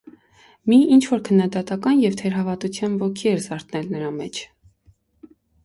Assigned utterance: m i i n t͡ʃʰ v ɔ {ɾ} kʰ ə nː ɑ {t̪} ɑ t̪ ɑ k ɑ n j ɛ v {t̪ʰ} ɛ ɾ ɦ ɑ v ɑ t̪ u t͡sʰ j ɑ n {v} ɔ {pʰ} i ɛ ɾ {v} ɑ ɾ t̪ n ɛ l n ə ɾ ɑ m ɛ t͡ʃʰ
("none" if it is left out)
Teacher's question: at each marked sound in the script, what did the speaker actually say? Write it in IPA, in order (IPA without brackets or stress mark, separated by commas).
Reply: ɾ, d̪, t̪ʰ, v, kʰ, z